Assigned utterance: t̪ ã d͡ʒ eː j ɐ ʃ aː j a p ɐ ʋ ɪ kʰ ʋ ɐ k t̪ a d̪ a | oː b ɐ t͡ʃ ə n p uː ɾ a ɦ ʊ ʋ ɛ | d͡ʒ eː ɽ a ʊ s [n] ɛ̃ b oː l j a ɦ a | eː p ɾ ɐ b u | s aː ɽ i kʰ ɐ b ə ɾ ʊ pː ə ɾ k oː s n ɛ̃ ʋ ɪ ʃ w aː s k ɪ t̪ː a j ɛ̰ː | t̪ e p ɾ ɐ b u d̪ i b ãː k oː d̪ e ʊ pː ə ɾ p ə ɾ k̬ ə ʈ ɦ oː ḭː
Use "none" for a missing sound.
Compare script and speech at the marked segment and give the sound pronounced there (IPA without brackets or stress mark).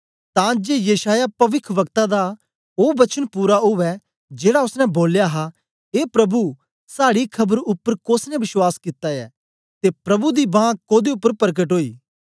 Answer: n